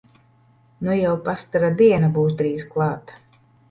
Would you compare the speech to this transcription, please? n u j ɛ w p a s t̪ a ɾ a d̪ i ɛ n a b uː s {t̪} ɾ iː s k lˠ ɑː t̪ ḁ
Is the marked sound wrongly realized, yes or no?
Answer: yes